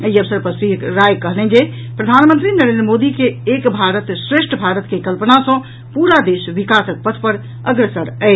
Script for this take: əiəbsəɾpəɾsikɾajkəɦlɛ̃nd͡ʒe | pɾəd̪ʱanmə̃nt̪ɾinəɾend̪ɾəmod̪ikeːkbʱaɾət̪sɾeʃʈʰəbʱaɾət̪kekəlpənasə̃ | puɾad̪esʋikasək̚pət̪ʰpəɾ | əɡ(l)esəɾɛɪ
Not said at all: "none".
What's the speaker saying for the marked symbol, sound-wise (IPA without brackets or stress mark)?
ɾ